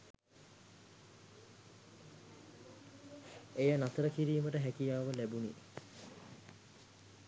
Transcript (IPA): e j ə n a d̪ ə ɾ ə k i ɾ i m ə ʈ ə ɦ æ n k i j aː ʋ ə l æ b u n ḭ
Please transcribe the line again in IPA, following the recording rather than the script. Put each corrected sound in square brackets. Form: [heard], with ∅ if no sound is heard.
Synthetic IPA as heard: e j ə n a [t̪] ə ɾ ə k i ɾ [iː] m ə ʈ ə ɦ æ [∅] k i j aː ʋ ə l æ b u n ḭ

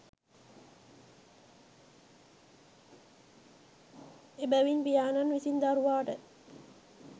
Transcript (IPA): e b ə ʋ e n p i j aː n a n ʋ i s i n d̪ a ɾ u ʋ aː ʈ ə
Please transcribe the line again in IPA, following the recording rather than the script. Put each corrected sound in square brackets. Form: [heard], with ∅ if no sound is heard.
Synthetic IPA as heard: e b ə ʋ [i] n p i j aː n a n ʋ i s i n d̪ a ɾ u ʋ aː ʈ ə

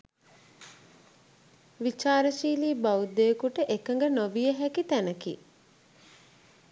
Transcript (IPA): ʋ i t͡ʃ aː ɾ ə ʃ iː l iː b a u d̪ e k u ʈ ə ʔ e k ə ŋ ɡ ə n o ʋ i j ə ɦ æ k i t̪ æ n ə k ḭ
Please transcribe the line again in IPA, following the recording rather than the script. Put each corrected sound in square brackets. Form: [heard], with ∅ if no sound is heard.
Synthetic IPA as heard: ʋ i t͡ʃ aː ɾ ə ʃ iː l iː b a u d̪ e k u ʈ ə ʔ e k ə ŋ ɡ ə n o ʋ i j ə ɦ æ k i t̪ æ n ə k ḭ

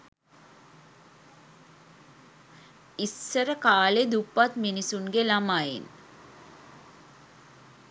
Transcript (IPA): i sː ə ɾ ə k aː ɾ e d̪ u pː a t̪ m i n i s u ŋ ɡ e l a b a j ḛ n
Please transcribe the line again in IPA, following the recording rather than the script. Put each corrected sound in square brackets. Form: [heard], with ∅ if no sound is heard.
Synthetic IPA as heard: i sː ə ɾ ə k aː [l] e d̪ u pː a t̪ m i n i s u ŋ ɡ e l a [m] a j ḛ n

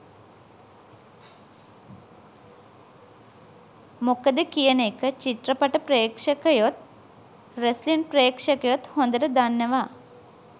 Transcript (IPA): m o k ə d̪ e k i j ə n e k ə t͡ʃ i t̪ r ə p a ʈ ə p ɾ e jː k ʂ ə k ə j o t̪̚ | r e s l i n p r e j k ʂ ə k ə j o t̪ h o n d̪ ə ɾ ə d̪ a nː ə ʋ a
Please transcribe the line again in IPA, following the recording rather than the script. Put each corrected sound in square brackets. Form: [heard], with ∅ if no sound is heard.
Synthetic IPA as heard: m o k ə d̪ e k i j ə n e k ə t͡ʃ i t̪ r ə p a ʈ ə p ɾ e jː k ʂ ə k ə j o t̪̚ | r e s l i n p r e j k ʂ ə k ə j o t̪ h o n d̪ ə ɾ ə d̪ a nː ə ʋ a

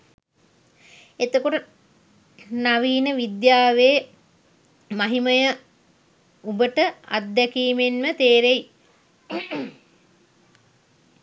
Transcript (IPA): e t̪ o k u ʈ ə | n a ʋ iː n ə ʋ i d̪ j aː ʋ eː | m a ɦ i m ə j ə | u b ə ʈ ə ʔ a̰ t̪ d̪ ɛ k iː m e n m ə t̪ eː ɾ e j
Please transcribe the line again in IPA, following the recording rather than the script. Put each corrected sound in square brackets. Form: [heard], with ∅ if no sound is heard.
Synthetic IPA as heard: e t̪ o k [o] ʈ ə | n a ʋ iː n ə ʋ i d̪ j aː ʋ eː | m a ɦ i m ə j ə | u b ə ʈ ə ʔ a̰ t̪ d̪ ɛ k iː m e n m ə t̪ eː ɾ e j

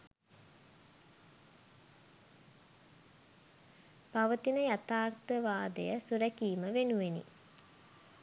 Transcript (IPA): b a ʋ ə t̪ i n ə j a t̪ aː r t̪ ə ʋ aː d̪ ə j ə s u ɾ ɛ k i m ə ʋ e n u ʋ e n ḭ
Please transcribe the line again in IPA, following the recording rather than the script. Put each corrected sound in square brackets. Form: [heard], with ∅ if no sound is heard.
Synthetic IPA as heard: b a ʋ ə t̪ i n ə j a t̪ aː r t̪ ə ʋ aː d̪ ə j ə s u ɾ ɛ k [iː] m ə ʋ e n u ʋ e n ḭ

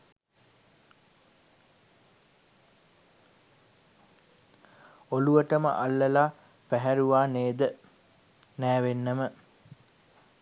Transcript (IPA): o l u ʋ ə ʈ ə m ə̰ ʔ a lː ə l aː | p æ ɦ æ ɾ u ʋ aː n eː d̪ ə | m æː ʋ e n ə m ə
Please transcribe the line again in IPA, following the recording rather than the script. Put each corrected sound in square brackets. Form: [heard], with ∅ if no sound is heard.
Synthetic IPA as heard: o l u ʋ ə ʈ ə m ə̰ ʔ a lː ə l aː | p æ ɦ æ ɾ u ʋ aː n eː d̪ ə | [n] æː ʋ e [nː] ə m ə

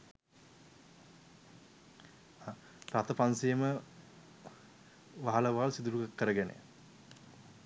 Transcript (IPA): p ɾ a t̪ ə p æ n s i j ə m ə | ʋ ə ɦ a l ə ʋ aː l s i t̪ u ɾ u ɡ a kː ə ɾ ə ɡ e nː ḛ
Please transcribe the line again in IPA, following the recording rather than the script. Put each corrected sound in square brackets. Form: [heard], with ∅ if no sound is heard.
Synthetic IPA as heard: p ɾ a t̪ ə p [a] n s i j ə m ə | ʋ [a] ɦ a l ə ʋ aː l s i [d̪] u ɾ u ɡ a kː ə ɾ ə ɡ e [n] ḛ

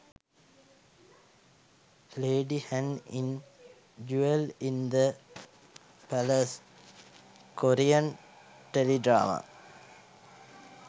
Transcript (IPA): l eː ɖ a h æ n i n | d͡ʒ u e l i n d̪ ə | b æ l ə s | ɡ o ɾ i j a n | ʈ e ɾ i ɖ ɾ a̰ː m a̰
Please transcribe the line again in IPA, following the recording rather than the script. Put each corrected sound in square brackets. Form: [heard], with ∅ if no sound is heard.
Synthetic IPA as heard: l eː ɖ [i] h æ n i n | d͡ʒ u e l i n d̪ ə | [p] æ l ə s | [k] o ɾ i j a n | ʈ e [l] i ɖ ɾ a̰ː m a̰

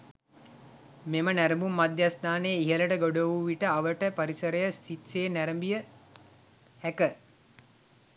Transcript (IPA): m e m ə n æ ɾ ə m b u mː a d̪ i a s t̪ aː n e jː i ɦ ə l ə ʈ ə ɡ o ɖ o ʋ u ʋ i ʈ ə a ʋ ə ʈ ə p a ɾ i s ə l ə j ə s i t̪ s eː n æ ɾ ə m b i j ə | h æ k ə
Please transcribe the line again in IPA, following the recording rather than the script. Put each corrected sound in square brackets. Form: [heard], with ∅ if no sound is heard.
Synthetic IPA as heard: m e m ə n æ ɾ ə m b u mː a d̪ [j] a s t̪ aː n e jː i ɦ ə l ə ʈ ə ɡ o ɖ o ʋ u ʋ i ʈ ə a ʋ ə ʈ ə p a ɾ i s ə [ɾ] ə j ə s i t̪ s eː n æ ɾ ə m b i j ə | h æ k ə

